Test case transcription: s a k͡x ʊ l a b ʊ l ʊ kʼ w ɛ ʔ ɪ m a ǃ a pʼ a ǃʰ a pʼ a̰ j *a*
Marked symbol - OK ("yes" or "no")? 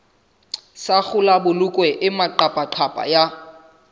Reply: yes